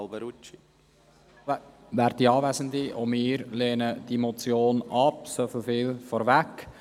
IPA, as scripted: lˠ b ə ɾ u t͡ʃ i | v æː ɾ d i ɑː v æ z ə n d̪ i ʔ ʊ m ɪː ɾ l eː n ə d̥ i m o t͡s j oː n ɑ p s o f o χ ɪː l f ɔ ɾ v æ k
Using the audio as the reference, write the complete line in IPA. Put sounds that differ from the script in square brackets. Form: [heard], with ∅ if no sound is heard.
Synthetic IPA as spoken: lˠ b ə ɾ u t͡ʃ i | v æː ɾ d i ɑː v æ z ə n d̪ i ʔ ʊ m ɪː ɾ l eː n ə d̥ i m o t͡s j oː n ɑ p s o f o [f] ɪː l f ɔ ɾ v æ k